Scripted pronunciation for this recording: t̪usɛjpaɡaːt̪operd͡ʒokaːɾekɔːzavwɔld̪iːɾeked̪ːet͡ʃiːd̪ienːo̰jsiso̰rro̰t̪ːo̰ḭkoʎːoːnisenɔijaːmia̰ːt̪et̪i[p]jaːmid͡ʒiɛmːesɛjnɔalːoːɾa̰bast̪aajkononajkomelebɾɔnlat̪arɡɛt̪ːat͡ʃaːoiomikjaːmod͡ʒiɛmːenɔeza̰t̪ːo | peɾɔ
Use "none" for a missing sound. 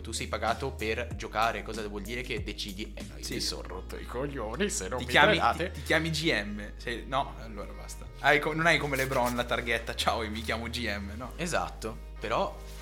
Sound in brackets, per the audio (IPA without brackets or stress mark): k